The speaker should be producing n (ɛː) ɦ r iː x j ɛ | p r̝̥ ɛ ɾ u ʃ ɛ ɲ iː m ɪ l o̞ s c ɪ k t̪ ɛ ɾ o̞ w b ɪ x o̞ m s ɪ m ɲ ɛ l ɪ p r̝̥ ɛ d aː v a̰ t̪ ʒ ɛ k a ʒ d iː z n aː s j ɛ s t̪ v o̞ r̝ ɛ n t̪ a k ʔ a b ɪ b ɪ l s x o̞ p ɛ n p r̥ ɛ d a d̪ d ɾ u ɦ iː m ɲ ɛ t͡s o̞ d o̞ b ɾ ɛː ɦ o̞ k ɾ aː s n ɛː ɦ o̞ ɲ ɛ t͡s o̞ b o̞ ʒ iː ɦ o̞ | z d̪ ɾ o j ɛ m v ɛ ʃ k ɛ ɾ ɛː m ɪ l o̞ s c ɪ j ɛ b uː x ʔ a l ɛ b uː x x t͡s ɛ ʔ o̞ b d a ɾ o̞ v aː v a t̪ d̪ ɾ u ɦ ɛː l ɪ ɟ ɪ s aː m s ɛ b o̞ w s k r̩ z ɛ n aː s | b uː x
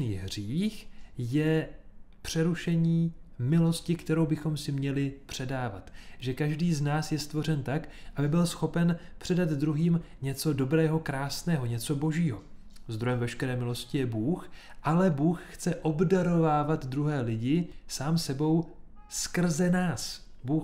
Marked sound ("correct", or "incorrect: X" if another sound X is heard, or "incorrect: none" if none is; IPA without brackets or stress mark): incorrect: iː